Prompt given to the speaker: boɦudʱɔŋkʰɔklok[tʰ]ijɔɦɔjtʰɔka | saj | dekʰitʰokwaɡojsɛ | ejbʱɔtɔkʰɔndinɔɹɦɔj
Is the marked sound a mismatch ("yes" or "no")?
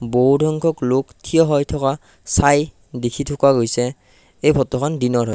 no